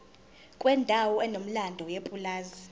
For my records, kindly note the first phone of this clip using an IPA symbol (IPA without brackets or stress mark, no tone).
kʼ